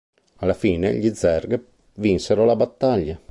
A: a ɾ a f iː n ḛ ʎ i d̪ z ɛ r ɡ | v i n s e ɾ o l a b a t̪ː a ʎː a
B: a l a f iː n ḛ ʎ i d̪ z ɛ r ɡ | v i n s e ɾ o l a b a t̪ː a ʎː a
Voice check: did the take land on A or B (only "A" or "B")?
B